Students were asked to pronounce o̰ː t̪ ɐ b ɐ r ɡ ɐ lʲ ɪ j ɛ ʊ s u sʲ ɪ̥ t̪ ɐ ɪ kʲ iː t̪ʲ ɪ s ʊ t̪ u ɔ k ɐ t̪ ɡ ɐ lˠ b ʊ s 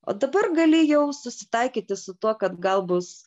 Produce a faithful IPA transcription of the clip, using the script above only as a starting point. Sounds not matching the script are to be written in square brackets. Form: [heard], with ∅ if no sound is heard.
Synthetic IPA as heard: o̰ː [d̪] ɐ b ɐ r ɡ ɐ lʲ ɪ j ɛ ʊ s [ʊ] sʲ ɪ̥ t̪ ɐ ɪ kʲ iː t̪ʲ ɪ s ʊ t̪ u ɔ k ɐ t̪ ɡ ɐ lˠ b ʊ s